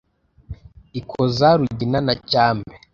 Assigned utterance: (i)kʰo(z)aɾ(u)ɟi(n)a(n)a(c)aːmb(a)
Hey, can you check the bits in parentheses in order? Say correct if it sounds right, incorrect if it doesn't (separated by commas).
correct, correct, correct, correct, correct, correct, incorrect